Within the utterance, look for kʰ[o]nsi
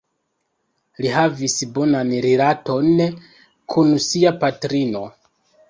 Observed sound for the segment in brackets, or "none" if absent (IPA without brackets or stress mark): u